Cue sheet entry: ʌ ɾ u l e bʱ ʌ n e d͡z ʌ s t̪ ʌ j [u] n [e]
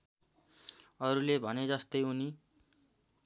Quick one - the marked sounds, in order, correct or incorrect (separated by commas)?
correct, incorrect